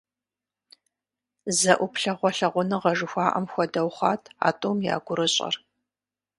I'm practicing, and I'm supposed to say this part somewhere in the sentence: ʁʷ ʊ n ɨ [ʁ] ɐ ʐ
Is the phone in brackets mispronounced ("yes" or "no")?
no